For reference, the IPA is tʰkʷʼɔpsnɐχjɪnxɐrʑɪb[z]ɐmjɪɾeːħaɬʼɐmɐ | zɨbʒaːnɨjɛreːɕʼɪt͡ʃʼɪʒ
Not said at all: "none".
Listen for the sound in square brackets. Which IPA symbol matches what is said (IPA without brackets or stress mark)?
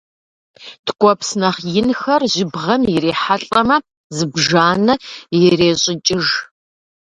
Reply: ʁ